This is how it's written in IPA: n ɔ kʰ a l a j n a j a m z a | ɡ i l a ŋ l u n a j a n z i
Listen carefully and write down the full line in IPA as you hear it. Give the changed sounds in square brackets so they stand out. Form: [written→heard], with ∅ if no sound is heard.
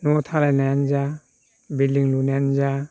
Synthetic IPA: n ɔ [kʰ→tʰ] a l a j n a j a [m→n] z a | [ɡ→b] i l [a→i] ŋ l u n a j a n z [i→a]